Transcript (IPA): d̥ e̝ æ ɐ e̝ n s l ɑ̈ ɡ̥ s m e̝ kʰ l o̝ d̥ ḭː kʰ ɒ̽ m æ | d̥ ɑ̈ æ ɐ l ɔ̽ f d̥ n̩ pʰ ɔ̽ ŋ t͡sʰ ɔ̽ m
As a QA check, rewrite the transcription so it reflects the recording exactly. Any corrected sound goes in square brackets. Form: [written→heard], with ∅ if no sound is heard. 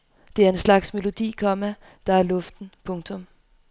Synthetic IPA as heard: d̥ e̝ æ ɐ e̝ n s l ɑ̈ ɡ̥ s m e̝ [kʰ→∅] l o̝ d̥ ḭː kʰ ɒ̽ m æ | d̥ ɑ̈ æ ɐ l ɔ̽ f d̥ n̩ pʰ ɔ̽ ŋ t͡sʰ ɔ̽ m

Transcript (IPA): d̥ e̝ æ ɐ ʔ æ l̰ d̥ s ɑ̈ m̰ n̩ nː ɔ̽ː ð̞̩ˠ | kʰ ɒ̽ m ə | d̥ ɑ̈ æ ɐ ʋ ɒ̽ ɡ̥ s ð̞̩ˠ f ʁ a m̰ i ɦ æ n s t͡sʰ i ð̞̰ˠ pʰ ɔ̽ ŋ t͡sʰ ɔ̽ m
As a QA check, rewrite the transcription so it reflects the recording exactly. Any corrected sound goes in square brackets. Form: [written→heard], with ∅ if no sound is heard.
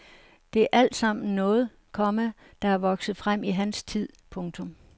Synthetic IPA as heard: d̥ e̝ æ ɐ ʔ æ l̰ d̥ s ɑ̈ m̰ n̩ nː ɔ̽ː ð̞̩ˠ | kʰ ɒ̽ m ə | d̥ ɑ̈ æ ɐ ʋ ɒ̽ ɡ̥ s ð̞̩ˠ f ʁ a m̰ i ɦ æ n s t͡sʰ i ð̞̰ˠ pʰ ɔ̽ ŋ t͡sʰ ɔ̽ m

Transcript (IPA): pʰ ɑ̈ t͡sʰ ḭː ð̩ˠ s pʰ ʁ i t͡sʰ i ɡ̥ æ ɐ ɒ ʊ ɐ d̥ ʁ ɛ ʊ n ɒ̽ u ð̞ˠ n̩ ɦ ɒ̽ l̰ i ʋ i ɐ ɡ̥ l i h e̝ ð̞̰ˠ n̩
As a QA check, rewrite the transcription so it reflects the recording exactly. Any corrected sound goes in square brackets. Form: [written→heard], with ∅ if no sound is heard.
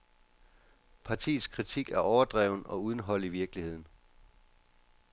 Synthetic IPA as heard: pʰ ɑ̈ t͡sʰ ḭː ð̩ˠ s [pʰ→kʰ] ʁ i t͡sʰ i ɡ̥ æ ɐ ɒ ʊ ɐ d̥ ʁ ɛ ʊ n ɒ̽ u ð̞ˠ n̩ ɦ ɒ̽ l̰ i ʋ i ɐ ɡ̥ l i h e̝ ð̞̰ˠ n̩

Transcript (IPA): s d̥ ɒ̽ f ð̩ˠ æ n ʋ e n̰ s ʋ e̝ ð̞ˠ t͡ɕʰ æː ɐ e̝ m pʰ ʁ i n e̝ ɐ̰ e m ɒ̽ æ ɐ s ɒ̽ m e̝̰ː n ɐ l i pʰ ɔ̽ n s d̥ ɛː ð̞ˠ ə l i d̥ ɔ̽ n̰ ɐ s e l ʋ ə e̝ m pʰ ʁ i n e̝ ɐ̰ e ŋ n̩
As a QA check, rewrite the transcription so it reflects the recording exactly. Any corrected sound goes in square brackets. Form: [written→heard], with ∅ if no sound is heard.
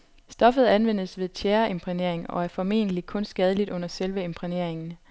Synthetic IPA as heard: s d̥ ɒ̽ f ð̩ˠ æ n ʋ e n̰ s ʋ e̝ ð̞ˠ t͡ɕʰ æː ɐ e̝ m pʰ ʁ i n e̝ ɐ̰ e [m→ŋ] ɒ̽ æ ɐ [s→f] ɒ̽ m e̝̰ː n [ɐ→ə] l i [pʰ→kʰ] ɔ̽ n s [d̥→ɡ̥] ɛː ð̞ˠ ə l i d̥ ɔ̽ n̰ ɐ s e l ʋ ə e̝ m pʰ ʁ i n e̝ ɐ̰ e ŋ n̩

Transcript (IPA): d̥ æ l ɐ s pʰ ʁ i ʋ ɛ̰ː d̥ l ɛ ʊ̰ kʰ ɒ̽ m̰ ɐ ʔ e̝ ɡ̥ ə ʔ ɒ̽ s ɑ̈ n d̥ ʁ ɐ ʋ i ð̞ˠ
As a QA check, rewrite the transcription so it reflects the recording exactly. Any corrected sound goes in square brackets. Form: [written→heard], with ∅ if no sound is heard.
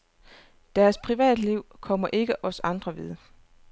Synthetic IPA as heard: d̥ æ [l→∅] ɐ s pʰ ʁ i ʋ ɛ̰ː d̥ l [ɛ→i] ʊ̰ kʰ ɒ̽ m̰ ɐ ʔ e̝ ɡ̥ ə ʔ ɒ̽ s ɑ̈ n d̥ ʁ ɐ ʋ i ð̞ˠ

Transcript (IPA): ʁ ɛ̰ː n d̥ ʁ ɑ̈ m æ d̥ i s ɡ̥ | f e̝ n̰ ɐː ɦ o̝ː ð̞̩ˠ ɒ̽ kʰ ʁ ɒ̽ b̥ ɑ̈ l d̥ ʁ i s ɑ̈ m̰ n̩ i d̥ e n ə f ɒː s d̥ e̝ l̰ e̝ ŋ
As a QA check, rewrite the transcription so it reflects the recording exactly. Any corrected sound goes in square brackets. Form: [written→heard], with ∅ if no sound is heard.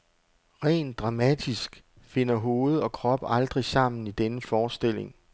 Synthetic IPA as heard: ʁ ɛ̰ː n d̥ ʁ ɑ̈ m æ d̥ i s ɡ̥ | f e̝ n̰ [ɐː→ɐ] ɦ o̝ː ð̞̩ˠ ɒ̽ kʰ ʁ ɒ̽ b̥ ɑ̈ l d̥ ʁ i s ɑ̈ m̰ n̩ i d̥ e n ə f ɒː s d̥ e̝ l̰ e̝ ŋ

